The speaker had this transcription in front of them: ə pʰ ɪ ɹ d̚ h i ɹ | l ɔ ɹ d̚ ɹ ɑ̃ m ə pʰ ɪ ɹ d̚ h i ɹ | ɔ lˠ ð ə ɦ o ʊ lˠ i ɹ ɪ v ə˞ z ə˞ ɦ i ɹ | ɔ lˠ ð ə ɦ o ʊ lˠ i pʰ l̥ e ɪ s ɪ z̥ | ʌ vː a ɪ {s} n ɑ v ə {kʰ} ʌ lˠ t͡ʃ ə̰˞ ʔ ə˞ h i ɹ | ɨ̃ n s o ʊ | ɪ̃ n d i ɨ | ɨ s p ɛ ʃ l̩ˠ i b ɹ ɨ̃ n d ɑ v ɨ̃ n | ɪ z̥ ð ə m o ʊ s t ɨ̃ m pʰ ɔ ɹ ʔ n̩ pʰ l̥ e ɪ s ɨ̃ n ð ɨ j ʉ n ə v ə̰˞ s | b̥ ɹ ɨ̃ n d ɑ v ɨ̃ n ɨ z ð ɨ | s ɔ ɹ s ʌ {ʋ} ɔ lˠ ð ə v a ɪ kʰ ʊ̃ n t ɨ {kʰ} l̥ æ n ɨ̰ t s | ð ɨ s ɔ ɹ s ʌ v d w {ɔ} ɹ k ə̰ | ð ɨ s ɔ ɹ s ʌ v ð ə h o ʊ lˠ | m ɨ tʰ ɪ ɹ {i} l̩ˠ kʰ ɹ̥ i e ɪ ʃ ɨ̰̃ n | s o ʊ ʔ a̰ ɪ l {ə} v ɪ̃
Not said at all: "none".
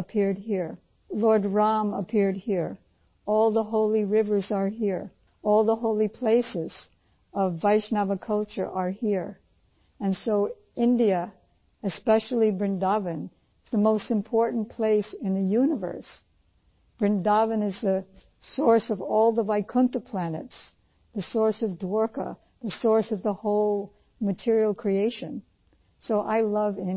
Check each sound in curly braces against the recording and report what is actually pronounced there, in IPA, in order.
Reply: ʃ, kʰ, v, pʰ, ɔ, i, ʌ

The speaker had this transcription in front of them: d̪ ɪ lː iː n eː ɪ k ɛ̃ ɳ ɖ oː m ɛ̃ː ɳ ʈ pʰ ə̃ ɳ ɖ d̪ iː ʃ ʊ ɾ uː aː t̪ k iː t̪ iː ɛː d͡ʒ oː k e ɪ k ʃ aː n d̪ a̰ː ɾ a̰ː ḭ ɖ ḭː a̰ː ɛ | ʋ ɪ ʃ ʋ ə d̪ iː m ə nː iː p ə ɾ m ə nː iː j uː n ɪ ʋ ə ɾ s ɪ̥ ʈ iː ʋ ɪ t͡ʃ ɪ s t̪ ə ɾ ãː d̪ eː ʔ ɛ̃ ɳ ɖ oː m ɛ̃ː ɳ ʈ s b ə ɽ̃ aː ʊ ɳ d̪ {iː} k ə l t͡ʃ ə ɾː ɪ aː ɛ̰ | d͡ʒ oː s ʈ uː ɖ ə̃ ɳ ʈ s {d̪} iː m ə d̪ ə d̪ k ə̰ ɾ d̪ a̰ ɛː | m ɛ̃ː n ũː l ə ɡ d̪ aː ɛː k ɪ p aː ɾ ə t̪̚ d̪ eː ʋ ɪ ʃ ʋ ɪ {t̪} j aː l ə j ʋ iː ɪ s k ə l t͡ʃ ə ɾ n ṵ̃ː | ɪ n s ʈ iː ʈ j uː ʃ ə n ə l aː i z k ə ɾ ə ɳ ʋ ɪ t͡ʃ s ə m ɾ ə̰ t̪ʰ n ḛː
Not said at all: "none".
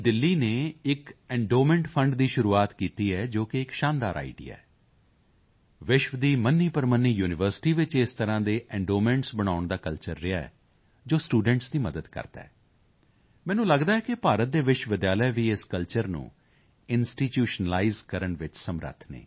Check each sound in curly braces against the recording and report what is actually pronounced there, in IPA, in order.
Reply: aː, d̪, d̪

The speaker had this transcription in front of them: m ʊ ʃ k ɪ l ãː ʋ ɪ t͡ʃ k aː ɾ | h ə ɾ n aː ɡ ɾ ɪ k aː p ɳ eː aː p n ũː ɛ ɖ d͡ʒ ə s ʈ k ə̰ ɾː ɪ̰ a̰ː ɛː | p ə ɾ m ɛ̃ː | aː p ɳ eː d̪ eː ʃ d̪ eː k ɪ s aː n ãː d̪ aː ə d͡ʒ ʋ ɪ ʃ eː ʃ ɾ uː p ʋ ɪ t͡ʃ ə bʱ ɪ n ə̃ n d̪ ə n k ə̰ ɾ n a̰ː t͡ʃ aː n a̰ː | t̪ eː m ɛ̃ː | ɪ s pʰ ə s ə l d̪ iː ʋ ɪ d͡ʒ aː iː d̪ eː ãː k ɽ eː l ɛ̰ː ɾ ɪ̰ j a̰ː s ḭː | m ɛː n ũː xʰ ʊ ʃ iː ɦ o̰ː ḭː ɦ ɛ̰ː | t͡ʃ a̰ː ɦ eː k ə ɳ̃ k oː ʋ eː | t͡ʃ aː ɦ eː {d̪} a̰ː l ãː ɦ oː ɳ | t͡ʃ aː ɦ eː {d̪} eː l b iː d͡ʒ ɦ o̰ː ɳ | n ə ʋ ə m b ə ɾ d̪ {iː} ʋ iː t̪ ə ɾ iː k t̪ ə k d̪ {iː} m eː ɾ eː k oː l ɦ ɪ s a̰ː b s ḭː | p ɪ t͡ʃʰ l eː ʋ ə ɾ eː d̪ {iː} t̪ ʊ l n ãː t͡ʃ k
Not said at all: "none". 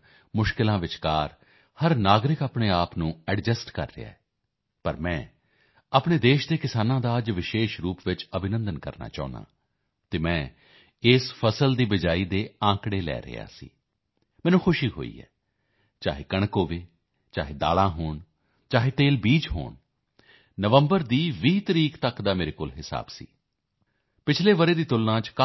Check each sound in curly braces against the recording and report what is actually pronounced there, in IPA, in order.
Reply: d̪, t̪, iː, aː, iː

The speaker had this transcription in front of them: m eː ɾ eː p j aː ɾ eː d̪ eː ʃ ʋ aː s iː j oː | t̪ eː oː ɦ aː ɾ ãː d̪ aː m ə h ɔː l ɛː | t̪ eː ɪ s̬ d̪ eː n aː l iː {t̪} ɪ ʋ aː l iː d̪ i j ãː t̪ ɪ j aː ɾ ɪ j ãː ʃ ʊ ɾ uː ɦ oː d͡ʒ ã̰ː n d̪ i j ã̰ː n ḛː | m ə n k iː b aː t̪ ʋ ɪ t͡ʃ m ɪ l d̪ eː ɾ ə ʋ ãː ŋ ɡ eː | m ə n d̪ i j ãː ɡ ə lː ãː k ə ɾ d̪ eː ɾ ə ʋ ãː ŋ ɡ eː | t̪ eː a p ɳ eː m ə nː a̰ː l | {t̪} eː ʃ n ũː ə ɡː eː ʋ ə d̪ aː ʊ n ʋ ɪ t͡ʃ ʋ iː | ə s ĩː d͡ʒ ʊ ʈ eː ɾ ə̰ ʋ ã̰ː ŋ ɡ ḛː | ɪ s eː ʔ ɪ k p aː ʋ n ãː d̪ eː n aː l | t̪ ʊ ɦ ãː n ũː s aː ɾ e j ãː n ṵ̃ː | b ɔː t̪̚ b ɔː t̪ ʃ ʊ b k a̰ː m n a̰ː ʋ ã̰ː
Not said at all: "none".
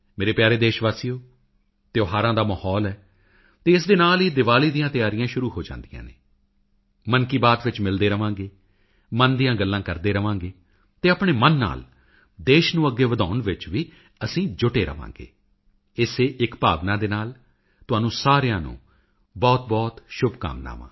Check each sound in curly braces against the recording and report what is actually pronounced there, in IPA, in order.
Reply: d̪, d̪

